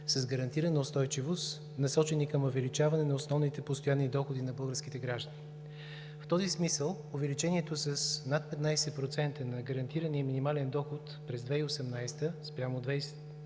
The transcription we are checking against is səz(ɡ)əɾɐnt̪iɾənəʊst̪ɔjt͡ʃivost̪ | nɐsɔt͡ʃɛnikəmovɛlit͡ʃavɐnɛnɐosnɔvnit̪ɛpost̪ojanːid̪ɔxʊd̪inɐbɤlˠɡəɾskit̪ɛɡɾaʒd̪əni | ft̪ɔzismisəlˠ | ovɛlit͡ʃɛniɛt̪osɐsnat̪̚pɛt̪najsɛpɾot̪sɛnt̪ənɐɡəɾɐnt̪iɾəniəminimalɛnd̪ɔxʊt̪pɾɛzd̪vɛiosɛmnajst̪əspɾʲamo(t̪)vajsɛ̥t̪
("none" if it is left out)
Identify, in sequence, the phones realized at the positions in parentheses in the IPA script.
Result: ɡ, d̪

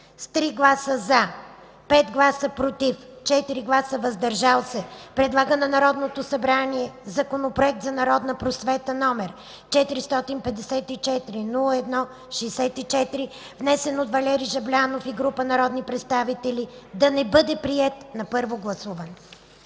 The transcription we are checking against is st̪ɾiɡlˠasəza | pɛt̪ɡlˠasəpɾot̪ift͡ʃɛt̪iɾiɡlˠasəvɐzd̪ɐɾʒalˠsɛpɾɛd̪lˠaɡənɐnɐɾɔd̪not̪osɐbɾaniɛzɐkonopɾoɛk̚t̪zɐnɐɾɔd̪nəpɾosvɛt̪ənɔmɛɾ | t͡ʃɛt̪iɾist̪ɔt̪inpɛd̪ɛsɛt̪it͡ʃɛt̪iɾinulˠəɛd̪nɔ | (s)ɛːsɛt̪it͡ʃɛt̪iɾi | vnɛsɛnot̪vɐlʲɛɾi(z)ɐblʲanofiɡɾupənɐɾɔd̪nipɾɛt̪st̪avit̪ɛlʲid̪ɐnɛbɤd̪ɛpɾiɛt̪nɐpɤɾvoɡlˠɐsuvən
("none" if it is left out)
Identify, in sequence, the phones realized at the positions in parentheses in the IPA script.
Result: ʃ, ʒ

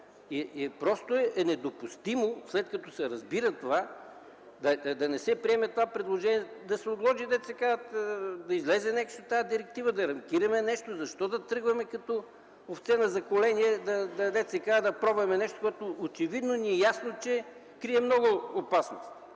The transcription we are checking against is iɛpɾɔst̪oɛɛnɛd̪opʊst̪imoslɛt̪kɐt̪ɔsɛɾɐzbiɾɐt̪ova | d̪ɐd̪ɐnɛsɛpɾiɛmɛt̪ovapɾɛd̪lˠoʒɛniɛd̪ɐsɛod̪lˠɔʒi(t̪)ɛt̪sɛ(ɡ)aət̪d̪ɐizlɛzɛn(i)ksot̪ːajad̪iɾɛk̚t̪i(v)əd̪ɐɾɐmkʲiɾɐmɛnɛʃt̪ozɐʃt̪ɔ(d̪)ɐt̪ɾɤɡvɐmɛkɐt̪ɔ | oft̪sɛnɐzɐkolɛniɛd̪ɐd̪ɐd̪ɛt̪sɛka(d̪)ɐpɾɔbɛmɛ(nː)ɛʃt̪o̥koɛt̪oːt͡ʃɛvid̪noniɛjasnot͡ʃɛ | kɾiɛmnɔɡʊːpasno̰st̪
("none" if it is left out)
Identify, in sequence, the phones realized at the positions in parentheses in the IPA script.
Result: d̪, k, ɛ, v, d̪, d̪, n

